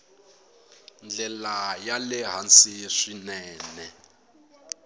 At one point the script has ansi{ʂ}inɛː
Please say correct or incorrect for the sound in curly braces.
correct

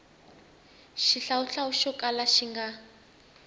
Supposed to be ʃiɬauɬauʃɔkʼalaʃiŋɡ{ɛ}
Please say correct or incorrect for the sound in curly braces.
incorrect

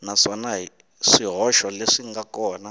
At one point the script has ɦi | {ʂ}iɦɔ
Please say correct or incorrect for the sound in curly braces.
correct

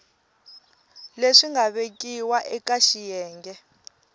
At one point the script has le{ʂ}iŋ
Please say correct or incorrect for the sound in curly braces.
correct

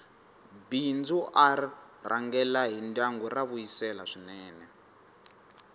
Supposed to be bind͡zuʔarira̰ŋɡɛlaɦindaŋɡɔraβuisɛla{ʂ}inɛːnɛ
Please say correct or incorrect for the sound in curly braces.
correct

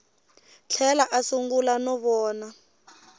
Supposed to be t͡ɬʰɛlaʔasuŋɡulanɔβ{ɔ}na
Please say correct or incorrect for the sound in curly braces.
incorrect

